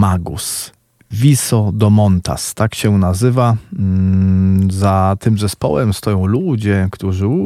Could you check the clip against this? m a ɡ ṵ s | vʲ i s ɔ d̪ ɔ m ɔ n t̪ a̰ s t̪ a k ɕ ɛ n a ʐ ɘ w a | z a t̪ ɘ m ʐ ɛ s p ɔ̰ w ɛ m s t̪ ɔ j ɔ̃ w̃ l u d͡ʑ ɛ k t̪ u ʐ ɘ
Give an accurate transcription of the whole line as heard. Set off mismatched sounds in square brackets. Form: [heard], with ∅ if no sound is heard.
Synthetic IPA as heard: m a ɡ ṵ s | vʲ i s ɔ d̪ ɔ m ɔ n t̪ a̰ s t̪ a k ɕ ɛ n a [z] ɘ [v] a | z a t̪ ɘ m [z] ɛ s p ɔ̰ w ɛ m s t̪ ɔ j ɔ̃ w̃ l u d͡ʑ ɛ k t̪ u ʐ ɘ